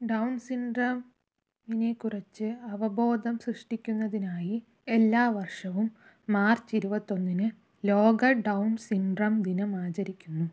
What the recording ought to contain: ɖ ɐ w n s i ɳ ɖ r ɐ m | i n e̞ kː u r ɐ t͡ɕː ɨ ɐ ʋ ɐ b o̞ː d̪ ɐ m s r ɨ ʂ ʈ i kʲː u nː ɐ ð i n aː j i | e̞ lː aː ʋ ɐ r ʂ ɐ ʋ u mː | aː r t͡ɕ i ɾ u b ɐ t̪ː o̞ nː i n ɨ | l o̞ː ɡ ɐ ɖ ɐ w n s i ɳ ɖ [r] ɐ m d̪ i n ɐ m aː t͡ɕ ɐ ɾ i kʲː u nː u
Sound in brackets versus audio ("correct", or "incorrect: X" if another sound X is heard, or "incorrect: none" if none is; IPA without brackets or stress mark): correct